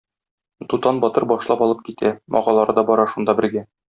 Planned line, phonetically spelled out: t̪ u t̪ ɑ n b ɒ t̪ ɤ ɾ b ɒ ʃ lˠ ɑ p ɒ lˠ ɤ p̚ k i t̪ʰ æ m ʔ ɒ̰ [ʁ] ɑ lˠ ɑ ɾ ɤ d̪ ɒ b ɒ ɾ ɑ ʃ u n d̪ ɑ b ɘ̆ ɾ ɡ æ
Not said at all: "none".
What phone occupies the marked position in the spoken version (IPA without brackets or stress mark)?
ʁ